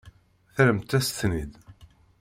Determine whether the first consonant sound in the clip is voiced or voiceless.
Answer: voiceless